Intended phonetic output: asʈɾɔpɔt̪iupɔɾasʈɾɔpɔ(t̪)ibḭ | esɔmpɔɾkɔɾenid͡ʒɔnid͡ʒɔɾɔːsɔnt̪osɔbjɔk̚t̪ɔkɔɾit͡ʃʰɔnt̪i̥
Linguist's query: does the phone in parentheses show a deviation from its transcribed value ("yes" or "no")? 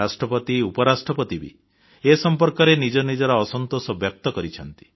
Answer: no